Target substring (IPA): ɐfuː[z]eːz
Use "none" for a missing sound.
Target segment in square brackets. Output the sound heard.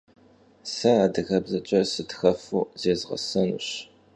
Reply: z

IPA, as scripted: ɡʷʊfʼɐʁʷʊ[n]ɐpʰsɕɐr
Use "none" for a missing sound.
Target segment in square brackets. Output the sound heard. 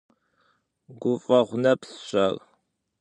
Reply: n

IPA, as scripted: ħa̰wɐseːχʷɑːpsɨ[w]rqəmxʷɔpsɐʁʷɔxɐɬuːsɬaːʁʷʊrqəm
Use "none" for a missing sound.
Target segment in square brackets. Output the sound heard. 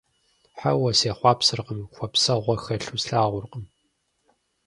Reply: none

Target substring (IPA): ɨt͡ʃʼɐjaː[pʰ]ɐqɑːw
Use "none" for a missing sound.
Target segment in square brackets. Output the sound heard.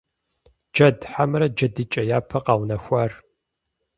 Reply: pʰ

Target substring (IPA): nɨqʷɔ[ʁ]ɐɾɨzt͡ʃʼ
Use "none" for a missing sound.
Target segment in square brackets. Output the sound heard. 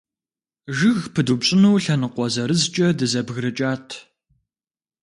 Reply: z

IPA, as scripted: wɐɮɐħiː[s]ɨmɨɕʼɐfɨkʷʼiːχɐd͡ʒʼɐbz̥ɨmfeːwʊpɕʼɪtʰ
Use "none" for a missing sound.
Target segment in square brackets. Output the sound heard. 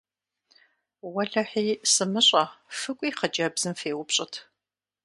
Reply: s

